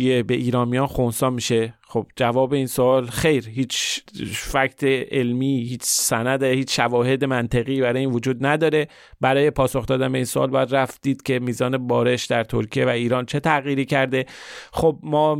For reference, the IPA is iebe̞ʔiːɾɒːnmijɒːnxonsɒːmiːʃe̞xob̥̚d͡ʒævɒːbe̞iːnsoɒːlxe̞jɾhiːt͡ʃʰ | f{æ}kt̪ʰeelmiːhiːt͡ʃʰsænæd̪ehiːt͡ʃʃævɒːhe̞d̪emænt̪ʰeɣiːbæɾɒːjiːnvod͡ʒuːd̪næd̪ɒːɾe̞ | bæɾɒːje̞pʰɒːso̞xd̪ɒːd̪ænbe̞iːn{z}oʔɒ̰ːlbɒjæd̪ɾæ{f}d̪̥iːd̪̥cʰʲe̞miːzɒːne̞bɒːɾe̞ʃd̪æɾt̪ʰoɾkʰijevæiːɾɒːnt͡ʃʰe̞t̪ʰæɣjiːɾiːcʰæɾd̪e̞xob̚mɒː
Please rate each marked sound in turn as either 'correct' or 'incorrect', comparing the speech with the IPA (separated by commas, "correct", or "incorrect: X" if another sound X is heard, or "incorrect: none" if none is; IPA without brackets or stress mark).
correct, incorrect: s, correct